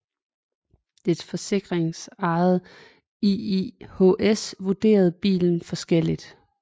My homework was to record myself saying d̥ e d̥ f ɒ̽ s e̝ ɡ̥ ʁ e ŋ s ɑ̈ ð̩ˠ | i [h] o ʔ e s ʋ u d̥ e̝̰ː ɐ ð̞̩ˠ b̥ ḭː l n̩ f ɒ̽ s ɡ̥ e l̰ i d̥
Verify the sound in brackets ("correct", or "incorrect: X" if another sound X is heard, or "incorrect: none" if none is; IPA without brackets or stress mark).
correct